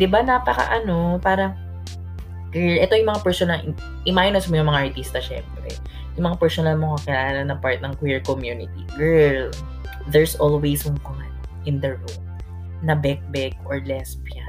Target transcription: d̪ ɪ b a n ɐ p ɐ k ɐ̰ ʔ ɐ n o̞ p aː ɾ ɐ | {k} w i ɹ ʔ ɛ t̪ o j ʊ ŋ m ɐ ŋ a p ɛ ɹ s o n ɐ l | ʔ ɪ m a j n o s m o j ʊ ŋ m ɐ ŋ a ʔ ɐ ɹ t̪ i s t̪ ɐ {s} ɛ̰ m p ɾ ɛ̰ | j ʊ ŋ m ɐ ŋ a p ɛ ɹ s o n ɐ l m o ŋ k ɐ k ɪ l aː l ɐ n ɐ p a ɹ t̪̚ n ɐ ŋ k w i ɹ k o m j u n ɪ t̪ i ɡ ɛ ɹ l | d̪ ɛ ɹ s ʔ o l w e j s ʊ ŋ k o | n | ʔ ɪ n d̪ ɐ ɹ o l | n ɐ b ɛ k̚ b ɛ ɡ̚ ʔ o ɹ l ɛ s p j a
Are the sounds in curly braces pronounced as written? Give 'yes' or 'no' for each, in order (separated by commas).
yes, no